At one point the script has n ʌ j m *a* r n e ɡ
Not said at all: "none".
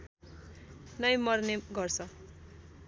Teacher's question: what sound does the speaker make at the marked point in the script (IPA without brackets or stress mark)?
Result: ʌ